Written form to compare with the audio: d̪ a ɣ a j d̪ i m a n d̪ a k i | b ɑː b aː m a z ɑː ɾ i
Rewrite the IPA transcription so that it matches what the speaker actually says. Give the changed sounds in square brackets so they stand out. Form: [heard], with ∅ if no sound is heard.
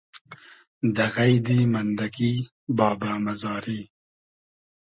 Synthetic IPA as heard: d̪ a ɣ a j d̪ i m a n d̪ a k i | b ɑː b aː m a z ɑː ɾ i